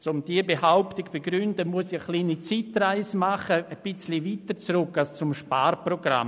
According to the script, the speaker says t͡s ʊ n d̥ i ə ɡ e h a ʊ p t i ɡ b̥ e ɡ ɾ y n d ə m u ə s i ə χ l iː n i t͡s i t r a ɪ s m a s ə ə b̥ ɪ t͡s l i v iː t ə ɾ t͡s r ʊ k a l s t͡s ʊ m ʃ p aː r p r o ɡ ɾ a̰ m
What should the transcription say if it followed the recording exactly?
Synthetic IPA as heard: t͡s ʊ m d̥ i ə b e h a ʊ p t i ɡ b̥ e ɡ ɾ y n d ə m u ə s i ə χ l iː n i t͡s i t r a ɪ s m a χ ə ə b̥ ɪ t͡s l i v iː t ə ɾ t͡s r ʊ k a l s t͡s ʊ m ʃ p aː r p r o ɡ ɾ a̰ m